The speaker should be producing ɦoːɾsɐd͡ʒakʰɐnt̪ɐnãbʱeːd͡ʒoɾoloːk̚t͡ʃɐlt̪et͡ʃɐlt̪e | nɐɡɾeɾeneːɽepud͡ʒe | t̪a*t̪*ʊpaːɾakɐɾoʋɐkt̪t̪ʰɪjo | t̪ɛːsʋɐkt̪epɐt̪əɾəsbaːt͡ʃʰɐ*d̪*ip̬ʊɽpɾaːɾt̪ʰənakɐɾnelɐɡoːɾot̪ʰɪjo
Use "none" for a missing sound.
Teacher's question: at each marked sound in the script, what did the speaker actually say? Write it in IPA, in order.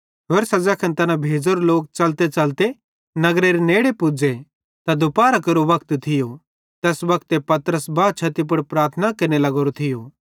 d̪, t̪

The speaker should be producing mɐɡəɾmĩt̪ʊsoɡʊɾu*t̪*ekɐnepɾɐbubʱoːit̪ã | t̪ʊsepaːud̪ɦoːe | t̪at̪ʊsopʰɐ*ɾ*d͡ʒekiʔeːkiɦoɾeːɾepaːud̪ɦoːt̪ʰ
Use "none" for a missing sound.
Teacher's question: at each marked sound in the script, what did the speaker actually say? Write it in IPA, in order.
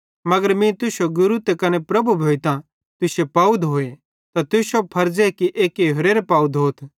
t̪, ɾ

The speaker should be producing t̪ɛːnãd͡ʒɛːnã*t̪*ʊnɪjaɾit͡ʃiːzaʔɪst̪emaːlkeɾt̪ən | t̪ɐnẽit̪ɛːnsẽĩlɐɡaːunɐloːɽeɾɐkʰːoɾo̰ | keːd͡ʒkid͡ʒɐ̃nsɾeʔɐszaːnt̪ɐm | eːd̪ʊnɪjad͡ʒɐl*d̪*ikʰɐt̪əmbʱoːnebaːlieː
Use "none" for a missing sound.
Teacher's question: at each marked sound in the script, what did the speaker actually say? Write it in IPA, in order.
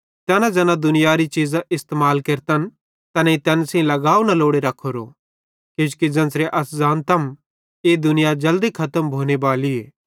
d̪, d̪

